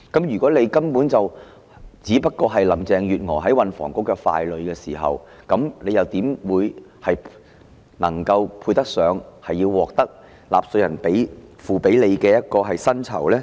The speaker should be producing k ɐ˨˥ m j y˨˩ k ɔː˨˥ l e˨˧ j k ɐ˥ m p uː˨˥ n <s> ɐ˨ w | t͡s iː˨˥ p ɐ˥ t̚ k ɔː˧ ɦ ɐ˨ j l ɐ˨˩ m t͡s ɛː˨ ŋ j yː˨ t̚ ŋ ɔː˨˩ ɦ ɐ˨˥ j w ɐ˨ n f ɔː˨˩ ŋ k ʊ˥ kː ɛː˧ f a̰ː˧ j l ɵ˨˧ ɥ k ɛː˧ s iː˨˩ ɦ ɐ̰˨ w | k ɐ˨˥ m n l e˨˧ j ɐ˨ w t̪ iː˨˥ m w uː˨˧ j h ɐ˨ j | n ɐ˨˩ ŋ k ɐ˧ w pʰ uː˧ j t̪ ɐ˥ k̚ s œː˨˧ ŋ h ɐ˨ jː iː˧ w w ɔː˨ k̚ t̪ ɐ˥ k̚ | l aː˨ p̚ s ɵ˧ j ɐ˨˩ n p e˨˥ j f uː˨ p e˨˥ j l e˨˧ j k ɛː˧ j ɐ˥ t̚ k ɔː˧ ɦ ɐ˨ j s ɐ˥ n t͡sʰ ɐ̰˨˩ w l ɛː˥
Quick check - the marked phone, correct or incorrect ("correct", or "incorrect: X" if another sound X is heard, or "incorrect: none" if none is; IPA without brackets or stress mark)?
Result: incorrect: t͡s